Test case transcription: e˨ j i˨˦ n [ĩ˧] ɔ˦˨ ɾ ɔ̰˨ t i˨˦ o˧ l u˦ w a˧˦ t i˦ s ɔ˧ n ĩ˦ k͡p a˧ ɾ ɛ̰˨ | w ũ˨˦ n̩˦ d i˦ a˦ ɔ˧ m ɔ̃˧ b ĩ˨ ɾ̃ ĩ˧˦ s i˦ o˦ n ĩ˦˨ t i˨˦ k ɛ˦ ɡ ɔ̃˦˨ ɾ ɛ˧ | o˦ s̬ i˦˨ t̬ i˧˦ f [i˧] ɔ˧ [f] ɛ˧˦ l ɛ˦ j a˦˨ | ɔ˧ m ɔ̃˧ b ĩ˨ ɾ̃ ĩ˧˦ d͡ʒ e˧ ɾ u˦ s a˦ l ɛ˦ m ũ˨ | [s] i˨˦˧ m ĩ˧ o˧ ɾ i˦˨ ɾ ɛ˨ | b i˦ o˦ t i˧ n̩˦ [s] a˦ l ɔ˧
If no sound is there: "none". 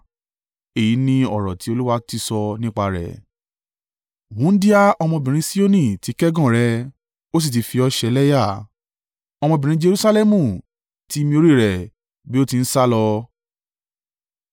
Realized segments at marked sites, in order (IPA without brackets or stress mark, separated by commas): ĩ˧, i˧, ʃ, t, s